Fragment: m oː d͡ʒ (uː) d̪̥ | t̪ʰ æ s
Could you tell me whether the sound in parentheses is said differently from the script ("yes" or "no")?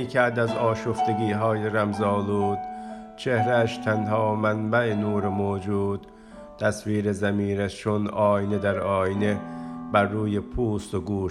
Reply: no